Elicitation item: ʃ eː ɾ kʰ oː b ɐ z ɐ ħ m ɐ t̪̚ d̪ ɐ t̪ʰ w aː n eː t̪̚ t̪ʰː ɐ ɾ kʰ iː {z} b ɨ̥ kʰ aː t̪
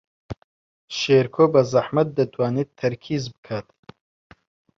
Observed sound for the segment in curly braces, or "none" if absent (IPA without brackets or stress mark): z